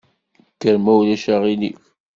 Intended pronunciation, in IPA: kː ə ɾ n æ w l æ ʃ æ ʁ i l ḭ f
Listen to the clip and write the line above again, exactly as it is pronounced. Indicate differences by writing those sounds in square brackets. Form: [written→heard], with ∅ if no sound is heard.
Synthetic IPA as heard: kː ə ɾ [n→m] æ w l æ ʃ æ ʁ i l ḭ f